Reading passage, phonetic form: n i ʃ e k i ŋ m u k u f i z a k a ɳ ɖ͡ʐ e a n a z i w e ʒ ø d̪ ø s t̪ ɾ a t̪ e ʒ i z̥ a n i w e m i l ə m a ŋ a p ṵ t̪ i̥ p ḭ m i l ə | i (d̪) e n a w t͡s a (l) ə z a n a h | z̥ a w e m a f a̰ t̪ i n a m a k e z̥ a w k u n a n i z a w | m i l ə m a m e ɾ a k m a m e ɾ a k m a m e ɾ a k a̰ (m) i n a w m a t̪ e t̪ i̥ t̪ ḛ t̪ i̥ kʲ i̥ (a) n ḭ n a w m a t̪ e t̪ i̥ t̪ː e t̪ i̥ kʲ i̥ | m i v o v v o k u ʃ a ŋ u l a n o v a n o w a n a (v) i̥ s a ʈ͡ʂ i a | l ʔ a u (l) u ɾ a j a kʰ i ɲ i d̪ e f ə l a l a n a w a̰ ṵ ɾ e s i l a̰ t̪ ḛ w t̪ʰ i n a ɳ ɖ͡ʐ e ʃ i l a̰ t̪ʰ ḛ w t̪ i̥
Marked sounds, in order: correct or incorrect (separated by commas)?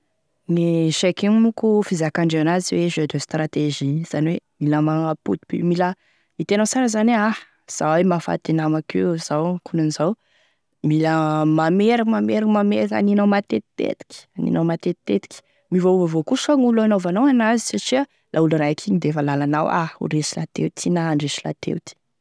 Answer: incorrect, incorrect, incorrect, correct, incorrect, correct